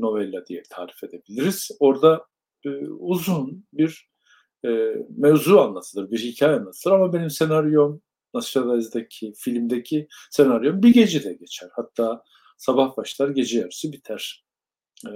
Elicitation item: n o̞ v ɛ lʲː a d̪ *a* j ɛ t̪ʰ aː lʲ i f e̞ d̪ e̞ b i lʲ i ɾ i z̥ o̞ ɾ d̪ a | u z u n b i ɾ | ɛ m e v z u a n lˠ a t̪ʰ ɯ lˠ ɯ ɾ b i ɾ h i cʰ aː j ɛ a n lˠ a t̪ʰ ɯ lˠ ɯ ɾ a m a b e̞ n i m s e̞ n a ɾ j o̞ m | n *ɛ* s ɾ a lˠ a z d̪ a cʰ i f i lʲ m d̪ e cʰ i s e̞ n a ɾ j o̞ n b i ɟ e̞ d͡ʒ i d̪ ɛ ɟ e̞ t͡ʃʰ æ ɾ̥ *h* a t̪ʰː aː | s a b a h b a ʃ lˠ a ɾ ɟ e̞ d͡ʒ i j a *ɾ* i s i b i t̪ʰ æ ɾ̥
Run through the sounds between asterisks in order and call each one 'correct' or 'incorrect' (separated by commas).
incorrect, incorrect, correct, correct